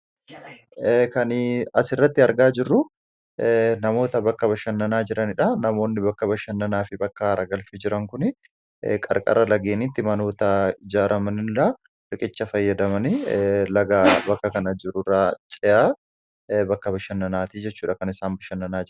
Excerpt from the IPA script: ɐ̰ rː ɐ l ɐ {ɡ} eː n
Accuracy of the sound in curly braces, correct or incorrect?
correct